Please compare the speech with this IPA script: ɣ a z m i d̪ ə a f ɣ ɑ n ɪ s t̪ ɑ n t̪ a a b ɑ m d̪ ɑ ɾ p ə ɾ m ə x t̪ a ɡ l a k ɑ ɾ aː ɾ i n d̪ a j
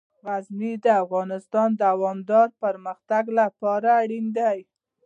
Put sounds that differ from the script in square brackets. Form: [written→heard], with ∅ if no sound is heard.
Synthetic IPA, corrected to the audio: ɣ a z m i d̪ ə a f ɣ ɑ n ɪ s t̪ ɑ n [t̪→d̪] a a [b→w] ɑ m d̪ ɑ ɾ p ə ɾ m ə x t̪ a ɡ l a [k→p] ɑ ɾ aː [ɾ→ɽ] i n d̪ a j